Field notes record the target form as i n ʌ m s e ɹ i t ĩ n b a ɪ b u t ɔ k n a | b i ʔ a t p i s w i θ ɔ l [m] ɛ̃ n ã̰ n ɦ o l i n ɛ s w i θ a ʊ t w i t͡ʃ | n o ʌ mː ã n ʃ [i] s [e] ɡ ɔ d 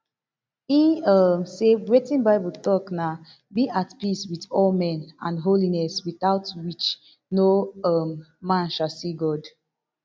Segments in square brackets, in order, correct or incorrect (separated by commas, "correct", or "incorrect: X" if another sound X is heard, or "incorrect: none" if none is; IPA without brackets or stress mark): correct, incorrect: a, incorrect: i